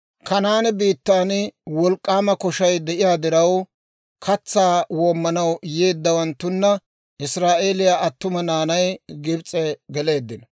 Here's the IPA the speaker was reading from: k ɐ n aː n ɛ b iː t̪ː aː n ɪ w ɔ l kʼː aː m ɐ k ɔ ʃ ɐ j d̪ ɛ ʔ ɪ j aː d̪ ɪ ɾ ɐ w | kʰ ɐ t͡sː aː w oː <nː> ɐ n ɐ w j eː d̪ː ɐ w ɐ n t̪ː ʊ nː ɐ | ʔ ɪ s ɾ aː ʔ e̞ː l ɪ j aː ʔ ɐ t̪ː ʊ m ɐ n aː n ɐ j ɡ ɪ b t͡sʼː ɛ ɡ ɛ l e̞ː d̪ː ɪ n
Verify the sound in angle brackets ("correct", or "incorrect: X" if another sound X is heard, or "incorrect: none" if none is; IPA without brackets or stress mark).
incorrect: mː